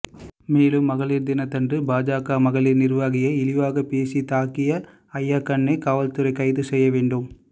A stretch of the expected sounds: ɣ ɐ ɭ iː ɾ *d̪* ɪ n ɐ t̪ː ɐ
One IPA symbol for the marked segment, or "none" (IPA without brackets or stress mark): d̪